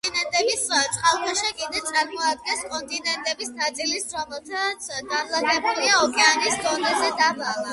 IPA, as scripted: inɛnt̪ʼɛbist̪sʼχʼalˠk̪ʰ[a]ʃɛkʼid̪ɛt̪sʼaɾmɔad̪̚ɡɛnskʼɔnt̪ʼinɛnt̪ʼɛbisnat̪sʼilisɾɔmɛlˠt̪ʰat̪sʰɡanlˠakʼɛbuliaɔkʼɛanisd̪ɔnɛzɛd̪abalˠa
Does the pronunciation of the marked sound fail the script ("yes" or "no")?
no